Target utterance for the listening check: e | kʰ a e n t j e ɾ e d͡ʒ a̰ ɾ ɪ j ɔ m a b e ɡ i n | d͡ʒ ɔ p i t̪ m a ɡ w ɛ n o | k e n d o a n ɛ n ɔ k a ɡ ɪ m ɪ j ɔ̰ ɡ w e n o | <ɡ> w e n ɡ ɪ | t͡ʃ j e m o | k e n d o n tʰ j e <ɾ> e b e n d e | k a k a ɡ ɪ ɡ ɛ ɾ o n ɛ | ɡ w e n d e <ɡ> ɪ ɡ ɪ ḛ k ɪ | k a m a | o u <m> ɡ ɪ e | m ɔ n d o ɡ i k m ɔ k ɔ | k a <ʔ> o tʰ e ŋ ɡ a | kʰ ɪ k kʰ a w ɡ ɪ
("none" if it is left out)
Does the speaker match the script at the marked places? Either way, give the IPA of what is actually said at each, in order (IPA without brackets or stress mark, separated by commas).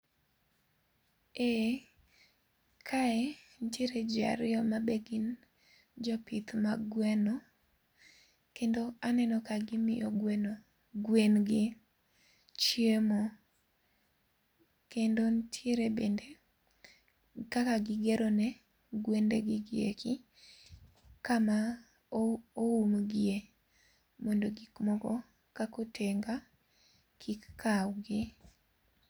ɡ, ɾ, ɡ, m, k